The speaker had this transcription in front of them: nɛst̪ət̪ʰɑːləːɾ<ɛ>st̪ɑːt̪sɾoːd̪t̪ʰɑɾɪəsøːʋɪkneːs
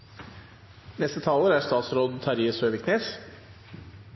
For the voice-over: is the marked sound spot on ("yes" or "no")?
no